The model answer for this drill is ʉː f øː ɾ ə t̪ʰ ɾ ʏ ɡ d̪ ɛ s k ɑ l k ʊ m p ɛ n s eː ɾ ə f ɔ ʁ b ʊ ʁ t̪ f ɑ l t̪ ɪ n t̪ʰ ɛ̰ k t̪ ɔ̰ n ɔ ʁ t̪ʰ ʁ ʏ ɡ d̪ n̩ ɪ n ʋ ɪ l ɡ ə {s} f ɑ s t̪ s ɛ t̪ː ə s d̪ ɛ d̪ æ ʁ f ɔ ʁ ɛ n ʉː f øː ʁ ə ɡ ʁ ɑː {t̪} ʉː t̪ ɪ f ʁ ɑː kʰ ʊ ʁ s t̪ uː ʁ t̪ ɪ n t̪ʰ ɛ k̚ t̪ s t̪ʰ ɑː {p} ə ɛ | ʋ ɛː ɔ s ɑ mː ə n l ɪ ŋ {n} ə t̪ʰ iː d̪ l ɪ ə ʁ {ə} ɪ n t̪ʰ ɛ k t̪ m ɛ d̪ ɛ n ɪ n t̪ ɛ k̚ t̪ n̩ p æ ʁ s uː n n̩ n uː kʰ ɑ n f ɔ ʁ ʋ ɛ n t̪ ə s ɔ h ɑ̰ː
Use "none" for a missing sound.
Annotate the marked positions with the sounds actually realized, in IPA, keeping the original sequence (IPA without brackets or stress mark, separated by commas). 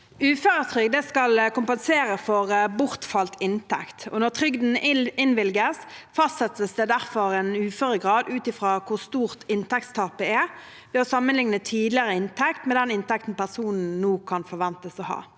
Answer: s, d̪, p, n, ə